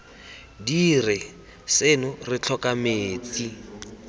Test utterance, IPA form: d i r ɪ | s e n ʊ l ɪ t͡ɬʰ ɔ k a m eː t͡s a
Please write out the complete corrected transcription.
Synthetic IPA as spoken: d i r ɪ | s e n ʊ r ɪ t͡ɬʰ ɔ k a m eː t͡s i